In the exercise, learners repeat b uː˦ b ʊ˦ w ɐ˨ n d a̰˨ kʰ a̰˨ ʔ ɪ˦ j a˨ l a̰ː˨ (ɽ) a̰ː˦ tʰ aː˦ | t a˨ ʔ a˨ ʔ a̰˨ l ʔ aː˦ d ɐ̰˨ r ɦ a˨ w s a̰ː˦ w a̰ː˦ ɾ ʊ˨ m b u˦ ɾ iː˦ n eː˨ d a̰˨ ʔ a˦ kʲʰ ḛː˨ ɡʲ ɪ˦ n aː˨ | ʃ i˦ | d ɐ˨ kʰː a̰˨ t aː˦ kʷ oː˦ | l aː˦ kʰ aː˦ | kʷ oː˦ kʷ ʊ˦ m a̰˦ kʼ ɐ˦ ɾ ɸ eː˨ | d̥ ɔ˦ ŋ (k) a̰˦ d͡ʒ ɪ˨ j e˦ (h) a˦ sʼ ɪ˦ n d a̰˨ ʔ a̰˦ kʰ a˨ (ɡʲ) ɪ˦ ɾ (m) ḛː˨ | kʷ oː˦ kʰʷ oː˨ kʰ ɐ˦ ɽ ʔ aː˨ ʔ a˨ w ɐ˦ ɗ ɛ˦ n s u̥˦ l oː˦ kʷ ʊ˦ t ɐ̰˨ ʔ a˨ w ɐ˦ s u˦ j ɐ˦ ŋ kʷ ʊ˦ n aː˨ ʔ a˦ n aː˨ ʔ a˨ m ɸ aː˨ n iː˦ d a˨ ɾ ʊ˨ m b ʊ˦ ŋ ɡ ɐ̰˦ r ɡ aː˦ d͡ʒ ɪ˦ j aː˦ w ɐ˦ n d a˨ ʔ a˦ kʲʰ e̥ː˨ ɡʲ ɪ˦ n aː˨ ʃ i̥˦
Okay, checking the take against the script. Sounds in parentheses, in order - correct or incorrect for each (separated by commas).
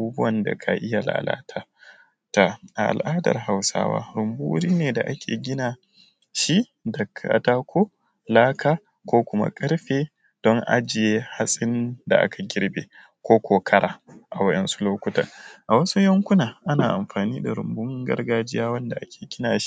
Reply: incorrect, incorrect, correct, correct, incorrect